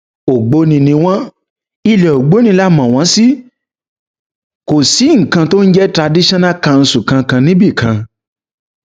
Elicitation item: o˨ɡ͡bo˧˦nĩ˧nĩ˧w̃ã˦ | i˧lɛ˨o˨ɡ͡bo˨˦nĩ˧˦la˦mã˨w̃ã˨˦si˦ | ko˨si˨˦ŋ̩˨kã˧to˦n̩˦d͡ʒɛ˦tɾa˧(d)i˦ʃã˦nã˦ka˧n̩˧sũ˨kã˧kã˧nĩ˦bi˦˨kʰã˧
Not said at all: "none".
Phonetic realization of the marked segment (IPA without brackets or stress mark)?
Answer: d